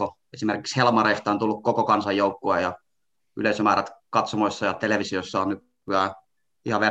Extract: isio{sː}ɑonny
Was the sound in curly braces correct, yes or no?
yes